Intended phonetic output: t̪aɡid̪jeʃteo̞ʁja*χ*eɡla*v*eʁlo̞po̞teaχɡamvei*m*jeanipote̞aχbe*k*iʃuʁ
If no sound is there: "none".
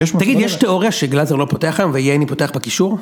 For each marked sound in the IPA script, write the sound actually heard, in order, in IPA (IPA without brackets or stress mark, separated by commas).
ʃ, z, none, k